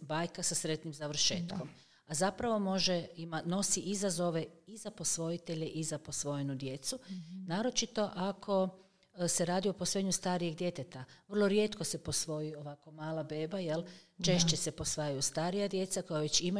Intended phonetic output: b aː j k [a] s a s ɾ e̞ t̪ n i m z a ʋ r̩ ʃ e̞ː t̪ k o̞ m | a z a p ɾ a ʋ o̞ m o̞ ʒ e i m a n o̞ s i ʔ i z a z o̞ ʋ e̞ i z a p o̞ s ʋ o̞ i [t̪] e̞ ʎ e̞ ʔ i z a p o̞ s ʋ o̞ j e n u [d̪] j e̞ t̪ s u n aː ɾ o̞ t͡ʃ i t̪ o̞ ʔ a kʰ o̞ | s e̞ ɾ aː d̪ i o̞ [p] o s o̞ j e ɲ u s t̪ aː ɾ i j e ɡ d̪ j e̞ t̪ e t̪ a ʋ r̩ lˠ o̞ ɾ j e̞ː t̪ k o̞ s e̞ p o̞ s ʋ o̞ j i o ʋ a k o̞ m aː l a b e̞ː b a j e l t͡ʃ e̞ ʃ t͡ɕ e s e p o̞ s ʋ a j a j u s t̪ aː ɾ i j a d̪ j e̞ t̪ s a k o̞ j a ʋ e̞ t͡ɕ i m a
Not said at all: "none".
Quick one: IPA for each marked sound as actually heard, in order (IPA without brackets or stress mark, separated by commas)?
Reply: a, t̪, d̪, p